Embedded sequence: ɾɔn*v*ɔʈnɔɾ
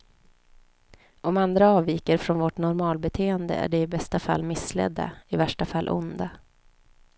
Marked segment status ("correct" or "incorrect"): correct